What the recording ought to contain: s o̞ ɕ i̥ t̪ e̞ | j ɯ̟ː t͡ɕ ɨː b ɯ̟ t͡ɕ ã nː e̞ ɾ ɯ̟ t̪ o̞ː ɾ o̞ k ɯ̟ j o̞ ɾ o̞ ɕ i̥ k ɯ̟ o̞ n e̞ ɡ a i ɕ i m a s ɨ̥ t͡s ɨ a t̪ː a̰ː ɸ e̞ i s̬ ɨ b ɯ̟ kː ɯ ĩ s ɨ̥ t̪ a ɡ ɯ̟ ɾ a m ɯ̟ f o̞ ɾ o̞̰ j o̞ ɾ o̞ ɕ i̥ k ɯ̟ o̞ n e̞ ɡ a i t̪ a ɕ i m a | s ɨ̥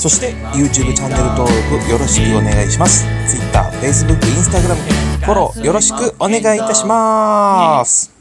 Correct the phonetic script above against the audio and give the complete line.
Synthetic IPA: s o̞ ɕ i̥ t̪ e̞ | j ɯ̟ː t͡ɕ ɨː b ɯ̟ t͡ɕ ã nː e̞ ɾ ɯ̟ t̪ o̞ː ɾ o̞ k ɯ̟ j o̞ ɾ o̞ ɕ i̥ k ɯ̟ o̞ n e̞ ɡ a i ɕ i m a s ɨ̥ t͡s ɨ i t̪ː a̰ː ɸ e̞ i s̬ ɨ b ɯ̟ kː ɯ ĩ s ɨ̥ t̪ a ɡ ɯ̟ ɾ a m ɯ̟ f o̞ ɾ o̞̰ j o̞ ɾ o̞ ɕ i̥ k ɯ̟ o̞ n e̞ ɡ a i t̪ a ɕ i m a | s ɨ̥